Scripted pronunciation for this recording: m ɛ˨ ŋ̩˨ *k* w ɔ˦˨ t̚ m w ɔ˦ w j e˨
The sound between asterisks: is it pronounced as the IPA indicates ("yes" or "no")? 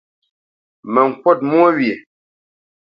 yes